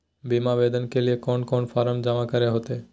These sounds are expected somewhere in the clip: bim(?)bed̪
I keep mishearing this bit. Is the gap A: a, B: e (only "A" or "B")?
A